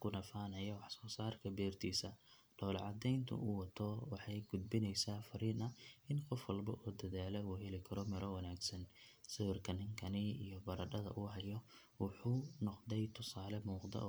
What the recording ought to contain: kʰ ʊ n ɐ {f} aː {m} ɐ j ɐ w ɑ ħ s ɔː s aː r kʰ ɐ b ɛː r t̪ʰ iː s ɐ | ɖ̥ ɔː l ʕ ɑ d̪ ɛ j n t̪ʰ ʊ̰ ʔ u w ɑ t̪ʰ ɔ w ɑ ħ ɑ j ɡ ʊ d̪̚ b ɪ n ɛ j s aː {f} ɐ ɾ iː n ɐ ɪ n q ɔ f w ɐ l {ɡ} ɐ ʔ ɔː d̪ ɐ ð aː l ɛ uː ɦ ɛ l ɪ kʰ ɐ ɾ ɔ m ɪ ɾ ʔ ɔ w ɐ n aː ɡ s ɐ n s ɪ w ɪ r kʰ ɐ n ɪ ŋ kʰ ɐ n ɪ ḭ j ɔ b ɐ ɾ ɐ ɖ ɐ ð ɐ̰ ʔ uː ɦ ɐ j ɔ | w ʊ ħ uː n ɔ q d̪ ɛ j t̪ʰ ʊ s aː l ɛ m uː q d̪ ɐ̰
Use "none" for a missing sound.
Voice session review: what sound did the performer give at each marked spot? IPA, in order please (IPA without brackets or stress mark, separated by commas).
f, n, f, b